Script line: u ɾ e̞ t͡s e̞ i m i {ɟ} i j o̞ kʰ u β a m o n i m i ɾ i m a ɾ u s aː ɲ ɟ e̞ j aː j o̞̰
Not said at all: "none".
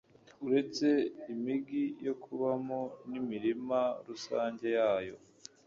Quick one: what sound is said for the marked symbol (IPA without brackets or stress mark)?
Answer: ɡ